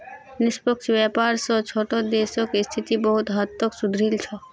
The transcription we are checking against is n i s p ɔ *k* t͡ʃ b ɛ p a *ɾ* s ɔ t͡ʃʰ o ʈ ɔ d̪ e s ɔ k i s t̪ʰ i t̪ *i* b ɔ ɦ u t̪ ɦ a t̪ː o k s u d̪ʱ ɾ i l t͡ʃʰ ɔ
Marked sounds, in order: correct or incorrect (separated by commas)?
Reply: correct, correct, correct